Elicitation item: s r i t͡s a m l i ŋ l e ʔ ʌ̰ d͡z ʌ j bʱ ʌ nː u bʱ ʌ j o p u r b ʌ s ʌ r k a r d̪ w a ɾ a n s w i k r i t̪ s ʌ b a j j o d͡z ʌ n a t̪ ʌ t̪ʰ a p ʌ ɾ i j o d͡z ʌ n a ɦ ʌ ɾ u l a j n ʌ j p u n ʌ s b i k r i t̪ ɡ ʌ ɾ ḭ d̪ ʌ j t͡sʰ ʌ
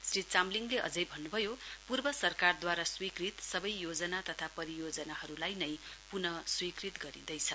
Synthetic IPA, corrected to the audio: s r i t͡s a m l i ŋ l e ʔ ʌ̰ d͡z ʌ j bʱ ʌ nː u bʱ ʌ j o p u r b ʌ s ʌ r k a r d̪ w a ɾ a s w i k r i t̪ s ʌ b ʌ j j o d͡z ʌ n a t̪ ʌ t̪ʰ a p ʌ ɾ i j o d͡z ʌ n a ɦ ʌ ɾ u l a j n ʌ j p u n ʌ s w i k r i t̪ ɡ ʌ ɾ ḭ d̪ ʌ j t͡sʰ ʌ